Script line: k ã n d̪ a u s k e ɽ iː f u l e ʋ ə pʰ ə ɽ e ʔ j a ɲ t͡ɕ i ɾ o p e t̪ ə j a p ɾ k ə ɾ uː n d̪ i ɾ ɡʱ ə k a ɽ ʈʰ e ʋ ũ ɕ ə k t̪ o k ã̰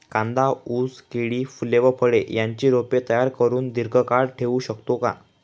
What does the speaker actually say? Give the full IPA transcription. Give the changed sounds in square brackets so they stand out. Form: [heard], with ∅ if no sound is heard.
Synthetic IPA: k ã n d̪ a u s k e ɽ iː f u l e ʋ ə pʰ ə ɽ e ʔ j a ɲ t͡ɕ i ɾ o p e t̪ ə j a [∅] ɾ k ə ɾ uː n d̪ i ɾ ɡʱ ə k a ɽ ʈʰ e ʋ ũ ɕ ə k t̪ o k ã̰

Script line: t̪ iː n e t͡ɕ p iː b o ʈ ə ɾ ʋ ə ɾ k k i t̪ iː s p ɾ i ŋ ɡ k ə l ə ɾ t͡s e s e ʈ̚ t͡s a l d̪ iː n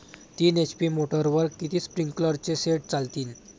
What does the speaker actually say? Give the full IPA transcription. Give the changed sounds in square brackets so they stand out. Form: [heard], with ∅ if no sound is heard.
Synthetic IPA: t̪ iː n e t͡ɕ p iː [m] o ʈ ə ɾ ʋ ə ɾ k k i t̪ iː s p ɾ i ŋ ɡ k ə l ə ɾ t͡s e s e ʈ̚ t͡s a l [t̪] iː n

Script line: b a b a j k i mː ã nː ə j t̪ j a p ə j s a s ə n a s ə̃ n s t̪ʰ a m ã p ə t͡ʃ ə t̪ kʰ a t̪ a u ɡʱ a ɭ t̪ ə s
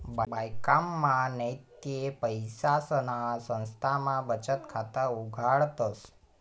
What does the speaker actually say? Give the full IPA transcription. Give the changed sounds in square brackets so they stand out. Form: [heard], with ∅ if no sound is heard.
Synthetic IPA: b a b a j k [a] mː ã [n] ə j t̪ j [e] p ə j s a s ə n a s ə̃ n s t̪ʰ a m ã [b] ə t͡ʃ ə t̪ kʰ a t̪ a u ɡʱ a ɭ t̪ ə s

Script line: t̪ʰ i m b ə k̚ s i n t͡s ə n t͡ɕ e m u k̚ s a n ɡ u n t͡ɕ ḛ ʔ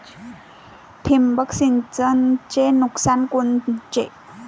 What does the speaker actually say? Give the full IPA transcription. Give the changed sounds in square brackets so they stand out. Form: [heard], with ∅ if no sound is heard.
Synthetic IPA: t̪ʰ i m b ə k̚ s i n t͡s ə n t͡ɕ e [n] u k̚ s a n [k] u n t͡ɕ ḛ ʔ

